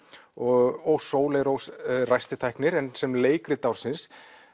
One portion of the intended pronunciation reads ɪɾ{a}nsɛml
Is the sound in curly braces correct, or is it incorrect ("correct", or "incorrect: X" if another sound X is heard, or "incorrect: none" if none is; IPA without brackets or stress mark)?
incorrect: ɛ